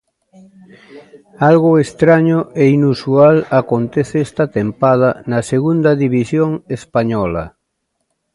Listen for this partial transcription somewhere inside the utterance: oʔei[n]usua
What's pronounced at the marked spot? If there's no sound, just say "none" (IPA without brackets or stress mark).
n